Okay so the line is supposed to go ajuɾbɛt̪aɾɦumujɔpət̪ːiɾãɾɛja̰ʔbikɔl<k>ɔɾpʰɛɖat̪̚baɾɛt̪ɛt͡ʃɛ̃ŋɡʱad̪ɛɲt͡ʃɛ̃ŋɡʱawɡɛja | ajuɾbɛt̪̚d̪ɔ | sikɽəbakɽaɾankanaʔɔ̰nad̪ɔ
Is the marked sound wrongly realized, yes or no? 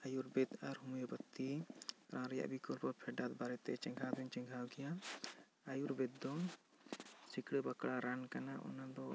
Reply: yes